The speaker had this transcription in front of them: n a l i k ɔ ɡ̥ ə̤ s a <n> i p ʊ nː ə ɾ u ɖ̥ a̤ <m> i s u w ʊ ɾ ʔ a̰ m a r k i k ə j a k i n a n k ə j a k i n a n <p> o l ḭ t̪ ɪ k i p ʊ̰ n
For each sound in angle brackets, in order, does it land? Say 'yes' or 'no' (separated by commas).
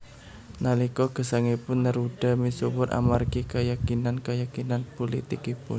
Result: no, yes, yes